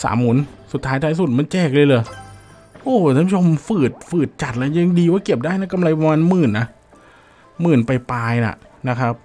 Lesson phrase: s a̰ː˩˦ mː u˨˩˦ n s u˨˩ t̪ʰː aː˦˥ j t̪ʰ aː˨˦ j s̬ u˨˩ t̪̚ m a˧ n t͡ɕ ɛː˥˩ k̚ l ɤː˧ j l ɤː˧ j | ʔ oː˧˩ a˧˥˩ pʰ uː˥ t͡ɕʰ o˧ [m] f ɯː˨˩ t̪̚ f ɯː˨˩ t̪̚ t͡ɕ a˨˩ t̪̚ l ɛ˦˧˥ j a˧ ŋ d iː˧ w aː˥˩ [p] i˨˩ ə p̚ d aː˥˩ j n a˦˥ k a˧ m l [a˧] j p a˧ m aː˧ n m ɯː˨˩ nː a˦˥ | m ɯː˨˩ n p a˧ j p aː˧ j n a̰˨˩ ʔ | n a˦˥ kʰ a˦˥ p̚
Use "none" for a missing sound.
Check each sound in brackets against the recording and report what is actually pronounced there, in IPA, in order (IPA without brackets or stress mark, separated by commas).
m, k, a˧